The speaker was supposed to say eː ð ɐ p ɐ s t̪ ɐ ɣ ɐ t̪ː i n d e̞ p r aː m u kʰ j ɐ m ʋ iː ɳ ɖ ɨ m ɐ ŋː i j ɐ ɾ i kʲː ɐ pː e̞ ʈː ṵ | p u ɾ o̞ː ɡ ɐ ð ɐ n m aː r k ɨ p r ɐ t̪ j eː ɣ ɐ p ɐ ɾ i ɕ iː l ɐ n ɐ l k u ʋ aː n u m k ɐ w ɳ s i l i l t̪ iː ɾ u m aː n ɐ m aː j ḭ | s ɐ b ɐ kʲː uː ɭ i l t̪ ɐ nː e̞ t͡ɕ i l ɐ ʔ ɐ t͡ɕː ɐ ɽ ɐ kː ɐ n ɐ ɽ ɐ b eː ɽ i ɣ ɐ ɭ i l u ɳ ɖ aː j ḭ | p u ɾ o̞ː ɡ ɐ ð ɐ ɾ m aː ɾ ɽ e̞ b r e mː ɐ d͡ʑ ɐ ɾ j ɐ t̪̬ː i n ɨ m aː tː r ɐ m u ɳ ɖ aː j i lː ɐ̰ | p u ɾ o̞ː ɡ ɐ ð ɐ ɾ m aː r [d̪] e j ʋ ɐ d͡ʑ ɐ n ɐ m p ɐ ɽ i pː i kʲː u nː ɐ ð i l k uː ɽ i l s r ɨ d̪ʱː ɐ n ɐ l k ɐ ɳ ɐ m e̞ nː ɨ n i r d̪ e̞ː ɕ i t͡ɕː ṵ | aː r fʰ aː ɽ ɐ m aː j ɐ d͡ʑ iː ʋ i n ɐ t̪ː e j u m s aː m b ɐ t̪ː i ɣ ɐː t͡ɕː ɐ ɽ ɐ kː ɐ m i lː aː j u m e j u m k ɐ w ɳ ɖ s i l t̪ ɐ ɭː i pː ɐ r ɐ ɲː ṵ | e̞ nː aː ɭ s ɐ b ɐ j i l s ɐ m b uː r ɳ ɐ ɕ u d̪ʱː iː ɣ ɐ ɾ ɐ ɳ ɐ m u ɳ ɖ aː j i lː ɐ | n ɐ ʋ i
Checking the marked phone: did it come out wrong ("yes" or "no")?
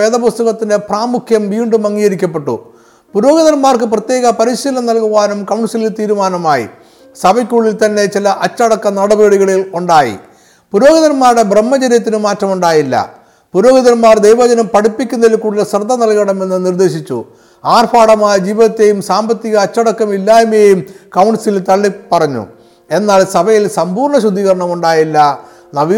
no